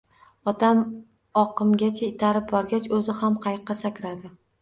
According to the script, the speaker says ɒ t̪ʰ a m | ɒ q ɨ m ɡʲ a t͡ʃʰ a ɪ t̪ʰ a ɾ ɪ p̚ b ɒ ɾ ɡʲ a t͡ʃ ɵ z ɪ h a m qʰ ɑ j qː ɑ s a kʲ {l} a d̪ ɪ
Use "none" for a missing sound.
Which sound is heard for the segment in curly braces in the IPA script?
ɾ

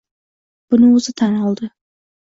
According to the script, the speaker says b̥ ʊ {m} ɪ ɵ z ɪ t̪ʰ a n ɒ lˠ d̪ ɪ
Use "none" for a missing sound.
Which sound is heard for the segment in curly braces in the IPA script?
n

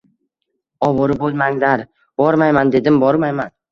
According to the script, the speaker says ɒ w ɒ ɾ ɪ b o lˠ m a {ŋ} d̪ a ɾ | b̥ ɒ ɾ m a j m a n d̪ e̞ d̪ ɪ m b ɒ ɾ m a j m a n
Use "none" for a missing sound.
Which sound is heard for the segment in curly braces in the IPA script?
ŋ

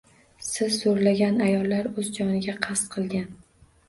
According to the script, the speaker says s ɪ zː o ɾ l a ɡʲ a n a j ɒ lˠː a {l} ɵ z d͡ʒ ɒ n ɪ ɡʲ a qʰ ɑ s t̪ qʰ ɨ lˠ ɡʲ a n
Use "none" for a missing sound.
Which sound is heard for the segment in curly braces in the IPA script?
ɾ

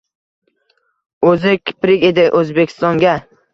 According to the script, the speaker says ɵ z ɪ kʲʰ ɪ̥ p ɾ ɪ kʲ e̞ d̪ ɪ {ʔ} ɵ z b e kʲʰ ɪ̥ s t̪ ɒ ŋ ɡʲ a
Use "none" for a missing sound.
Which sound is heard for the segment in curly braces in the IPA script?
ʔ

